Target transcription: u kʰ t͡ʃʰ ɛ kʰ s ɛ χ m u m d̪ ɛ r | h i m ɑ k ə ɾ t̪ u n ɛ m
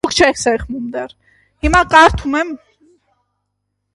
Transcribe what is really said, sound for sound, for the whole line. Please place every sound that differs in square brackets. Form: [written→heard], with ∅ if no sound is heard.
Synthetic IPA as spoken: u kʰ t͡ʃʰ ɛ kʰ s ɛ χ m u m d̪ ɛ r | h i m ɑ k [ə→ɑ] ɾ [t̪→t̪ʰ] u [n→m] ɛ m